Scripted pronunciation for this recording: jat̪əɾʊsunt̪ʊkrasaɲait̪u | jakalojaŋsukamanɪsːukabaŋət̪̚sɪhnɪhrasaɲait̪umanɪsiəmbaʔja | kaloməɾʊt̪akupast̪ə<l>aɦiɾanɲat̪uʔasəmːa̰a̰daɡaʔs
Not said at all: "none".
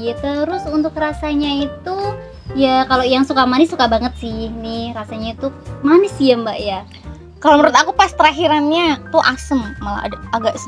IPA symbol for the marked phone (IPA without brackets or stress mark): ɾ